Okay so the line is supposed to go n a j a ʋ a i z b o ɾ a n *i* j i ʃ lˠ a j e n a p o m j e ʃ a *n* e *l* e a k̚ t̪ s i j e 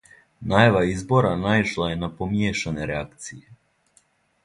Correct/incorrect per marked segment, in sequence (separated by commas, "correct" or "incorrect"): incorrect, correct, incorrect